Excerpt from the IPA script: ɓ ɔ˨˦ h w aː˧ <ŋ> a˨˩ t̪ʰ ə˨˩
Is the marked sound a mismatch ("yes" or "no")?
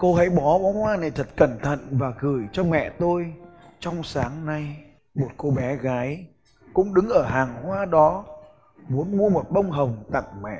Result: yes